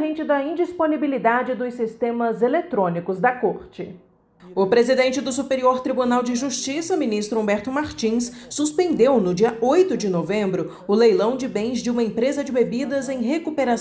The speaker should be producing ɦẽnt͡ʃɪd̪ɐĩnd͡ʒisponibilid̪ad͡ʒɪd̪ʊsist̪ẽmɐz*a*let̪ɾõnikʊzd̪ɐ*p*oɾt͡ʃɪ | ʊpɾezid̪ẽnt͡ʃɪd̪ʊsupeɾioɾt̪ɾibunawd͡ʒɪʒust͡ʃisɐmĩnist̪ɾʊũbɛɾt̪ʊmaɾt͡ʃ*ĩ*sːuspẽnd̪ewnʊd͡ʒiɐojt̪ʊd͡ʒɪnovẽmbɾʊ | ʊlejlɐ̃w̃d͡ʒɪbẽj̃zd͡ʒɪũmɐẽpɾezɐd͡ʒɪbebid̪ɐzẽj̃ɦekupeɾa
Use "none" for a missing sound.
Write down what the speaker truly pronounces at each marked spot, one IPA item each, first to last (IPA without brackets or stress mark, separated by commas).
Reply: e, k, ĩ